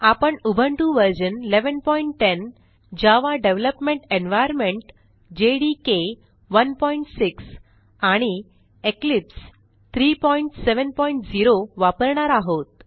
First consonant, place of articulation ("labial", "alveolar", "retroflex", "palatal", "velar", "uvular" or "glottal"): labial